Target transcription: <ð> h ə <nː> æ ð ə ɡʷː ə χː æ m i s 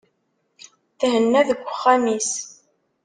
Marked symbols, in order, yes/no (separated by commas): no, yes